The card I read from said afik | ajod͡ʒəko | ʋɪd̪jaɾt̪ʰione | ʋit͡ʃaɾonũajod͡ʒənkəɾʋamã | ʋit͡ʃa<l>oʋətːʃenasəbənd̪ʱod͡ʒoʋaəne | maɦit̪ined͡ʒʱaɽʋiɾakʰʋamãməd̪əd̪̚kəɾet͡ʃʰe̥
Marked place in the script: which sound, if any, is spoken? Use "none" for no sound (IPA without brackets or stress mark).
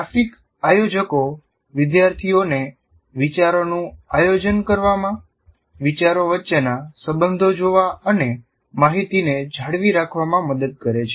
ɾ